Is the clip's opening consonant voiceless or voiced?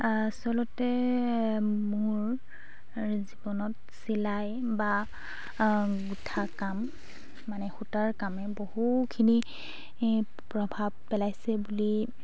voiceless